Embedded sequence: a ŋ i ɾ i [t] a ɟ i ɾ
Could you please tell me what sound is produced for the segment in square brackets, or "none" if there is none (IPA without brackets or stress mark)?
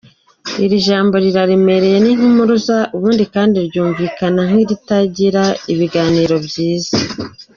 t